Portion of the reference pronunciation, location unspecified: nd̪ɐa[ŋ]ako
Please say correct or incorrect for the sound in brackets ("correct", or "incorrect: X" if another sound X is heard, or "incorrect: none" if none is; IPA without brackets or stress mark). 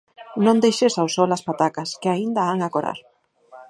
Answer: correct